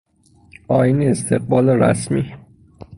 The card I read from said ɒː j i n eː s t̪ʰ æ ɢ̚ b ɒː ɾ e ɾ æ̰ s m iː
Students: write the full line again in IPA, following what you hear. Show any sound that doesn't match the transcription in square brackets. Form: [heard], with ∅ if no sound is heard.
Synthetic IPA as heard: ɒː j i n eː s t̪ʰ [e] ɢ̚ b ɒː [l] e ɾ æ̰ s m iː

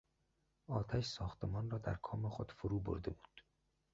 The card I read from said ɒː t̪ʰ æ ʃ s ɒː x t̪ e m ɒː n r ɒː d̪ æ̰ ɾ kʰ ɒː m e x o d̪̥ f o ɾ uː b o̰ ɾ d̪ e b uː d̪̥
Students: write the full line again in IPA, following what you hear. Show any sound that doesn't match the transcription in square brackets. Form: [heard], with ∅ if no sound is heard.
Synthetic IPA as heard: ɒː t̪ʰ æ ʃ s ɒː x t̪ e m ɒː n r ɒː d̪ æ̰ ɾ kʰ ɒː m e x o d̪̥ f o ɾ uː b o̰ ɾ d̪ e b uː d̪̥

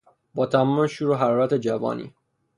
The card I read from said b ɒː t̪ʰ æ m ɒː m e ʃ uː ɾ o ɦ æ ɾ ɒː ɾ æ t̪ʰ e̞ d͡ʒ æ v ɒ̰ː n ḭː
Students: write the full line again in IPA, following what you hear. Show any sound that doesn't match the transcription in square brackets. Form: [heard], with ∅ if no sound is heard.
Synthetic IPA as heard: b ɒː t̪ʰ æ m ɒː m e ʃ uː ɾ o ɦ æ ɾ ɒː ɾ æ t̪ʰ e̞ d͡ʒ æ v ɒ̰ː n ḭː

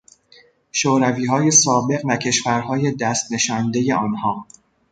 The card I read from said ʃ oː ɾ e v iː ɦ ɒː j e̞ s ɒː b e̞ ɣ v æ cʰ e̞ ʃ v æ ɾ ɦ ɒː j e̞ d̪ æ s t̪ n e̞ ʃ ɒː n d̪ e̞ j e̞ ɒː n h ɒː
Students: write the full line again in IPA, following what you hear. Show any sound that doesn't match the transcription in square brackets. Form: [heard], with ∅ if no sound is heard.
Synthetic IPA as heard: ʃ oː ɾ [æ] v iː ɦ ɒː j e̞ s ɒː b e̞ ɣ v æ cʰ e̞ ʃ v æ ɾ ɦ ɒː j e̞ d̪ æ s t̪ n e̞ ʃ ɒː n d̪ e̞ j e̞ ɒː n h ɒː

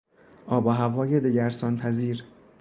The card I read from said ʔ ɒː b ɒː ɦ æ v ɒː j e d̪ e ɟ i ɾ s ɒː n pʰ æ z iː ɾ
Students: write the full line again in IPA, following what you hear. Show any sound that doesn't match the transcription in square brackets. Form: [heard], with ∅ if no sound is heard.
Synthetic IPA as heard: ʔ ɒː b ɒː ɦ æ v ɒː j e d̪ e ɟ [æ] ɾ s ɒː n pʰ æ z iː ɾ

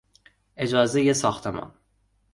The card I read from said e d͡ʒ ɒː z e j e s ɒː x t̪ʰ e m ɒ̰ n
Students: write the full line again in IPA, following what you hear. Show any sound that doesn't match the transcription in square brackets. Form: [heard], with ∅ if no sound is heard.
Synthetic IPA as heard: e d͡ʒ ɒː z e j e s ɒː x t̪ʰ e m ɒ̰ n

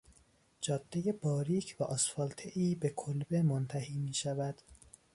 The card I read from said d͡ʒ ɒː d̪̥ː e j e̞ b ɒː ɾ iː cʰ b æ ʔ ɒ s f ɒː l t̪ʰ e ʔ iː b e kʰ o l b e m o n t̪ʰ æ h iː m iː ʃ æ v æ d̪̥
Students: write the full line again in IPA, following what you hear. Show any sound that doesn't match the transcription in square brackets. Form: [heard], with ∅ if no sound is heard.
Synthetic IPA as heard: d͡ʒ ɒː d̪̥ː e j e̞ b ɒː ɾ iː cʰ [v] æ ʔ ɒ s f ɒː l t̪ʰ e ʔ iː b e kʰ o l b e m o n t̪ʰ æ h iː m iː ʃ æ v æ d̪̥

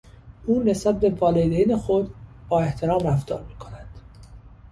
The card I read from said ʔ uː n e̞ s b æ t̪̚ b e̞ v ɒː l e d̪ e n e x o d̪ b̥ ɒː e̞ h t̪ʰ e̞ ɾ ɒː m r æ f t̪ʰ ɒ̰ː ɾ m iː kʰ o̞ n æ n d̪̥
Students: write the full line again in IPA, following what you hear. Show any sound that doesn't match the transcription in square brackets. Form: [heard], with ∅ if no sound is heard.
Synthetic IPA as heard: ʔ uː n e̞ s b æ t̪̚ b e̞ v ɒː l e d̪ e n e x o d̪ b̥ ɒː e̞ h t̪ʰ e̞ ɾ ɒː m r æ f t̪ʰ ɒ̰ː ɾ m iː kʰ o̞ n æ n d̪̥

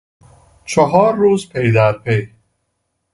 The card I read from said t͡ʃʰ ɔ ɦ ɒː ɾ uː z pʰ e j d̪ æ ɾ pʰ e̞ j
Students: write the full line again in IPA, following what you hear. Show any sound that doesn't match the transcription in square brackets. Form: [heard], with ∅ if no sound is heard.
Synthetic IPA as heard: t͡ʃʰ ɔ ɦ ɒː [ɾː] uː z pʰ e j d̪ æ ɾ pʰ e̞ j

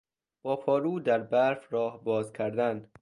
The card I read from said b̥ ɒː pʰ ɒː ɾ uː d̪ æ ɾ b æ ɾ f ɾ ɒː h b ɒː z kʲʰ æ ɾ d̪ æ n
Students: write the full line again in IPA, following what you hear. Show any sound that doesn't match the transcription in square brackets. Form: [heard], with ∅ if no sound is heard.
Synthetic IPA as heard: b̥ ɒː pʰ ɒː ɾ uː d̪ æ ɾ b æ ɾ f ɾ ɒː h b ɒː z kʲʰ æ ɾ d̪ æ n

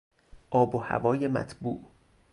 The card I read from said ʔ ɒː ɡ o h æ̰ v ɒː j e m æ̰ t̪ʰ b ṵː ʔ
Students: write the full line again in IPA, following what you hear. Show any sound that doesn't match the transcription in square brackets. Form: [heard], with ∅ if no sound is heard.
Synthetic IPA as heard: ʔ ɒː [b] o h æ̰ v ɒː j e m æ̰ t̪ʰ b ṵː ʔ

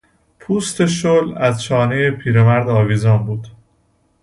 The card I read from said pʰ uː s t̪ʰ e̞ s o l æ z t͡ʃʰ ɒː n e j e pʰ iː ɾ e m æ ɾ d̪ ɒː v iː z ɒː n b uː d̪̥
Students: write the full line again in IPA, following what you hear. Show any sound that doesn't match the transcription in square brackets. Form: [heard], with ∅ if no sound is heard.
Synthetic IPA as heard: pʰ uː s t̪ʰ e̞ [ʃ] o l æ z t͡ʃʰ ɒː n e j e pʰ iː ɾ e m æ ɾ d̪ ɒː v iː z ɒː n b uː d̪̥

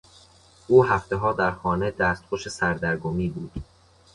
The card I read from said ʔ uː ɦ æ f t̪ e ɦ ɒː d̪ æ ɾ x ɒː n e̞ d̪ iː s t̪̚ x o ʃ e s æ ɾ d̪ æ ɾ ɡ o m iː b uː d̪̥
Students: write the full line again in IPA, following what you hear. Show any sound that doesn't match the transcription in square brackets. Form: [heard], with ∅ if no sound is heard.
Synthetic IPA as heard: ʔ uː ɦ æ f t̪ e ɦ ɒː d̪ æ ɾ x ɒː n e̞ d̪ [æː] s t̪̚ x o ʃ e s æ ɾ d̪ æ ɾ ɡ o m iː b uː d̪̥

